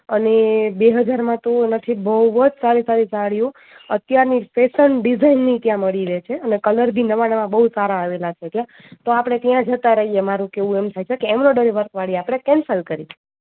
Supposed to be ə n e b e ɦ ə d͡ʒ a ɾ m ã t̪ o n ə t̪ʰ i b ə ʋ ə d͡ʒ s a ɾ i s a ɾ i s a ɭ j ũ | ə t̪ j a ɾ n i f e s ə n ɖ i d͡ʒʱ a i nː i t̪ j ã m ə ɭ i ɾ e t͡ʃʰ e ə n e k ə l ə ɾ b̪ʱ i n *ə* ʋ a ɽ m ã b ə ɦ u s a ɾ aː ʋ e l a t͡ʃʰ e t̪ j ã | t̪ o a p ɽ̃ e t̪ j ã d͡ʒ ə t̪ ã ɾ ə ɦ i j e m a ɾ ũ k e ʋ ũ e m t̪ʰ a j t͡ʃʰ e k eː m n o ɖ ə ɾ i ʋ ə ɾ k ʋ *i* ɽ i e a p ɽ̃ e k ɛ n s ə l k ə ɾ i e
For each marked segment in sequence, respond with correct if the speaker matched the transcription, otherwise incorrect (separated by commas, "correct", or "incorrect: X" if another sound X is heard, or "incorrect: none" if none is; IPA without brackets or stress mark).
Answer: correct, incorrect: a